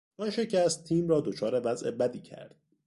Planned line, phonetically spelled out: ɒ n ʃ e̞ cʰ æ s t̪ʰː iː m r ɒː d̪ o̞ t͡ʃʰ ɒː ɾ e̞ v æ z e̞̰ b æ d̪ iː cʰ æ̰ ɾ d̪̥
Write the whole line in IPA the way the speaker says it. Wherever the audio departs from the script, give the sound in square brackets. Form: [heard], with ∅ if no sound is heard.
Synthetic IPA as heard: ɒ n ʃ e̞ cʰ æ s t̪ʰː iː m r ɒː d̪ o̞ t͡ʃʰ ɒː ɾ e̞ v æ z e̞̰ b æ d̪ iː cʰ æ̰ ɾ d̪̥